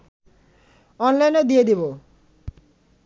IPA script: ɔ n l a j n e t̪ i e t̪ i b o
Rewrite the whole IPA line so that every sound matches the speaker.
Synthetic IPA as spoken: ɔ n l a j n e d̪ i e d̪ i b o